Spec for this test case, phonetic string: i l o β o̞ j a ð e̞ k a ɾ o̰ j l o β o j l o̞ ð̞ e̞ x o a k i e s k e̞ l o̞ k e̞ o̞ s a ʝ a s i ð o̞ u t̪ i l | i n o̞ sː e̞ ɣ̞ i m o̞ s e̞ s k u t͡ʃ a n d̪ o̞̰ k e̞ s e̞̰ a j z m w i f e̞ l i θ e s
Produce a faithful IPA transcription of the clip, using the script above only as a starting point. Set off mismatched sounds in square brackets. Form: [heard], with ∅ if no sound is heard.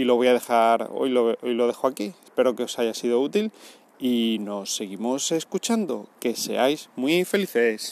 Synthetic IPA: i l o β o̞ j a ð e̞ [x] a ɾ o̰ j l o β o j l o̞ ð̞ e̞ x o a k i e s [p] e̞ [ɾ] o̞ k e̞ o̞ s a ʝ a s i ð o̞ u t̪ i l | i n o̞ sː e̞ ɣ̞ i m o̞ s e̞ s k u t͡ʃ a n d̪ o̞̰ k e̞ s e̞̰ a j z m w i f e̞ l i θ e s